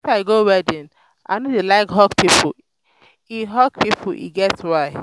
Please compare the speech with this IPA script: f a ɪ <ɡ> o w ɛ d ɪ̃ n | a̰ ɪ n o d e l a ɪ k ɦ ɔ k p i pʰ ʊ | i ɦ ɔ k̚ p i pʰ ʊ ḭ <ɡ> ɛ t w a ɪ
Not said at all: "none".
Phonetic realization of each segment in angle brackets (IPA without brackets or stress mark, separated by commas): ɡ, ɡ